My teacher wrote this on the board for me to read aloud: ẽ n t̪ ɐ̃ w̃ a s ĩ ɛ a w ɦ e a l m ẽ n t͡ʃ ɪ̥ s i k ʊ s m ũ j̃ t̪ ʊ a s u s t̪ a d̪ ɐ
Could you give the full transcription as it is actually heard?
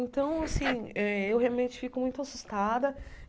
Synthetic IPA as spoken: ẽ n t̪ ɐ̃ w̃ a s ĩ ɛ e w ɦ e a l m ẽ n t͡ʃ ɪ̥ f i k ʊ m ũ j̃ t̪ ʊ a s u s t̪ a d̪ ɐ